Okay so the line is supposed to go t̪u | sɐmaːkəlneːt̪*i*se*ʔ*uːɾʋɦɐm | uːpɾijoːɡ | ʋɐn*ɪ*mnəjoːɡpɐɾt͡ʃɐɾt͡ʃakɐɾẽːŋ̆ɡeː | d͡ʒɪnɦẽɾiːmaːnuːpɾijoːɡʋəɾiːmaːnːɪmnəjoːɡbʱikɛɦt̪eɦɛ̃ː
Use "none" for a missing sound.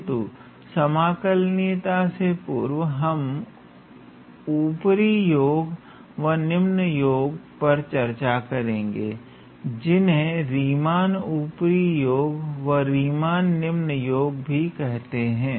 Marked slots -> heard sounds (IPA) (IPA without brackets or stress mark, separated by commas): a, p, ɪ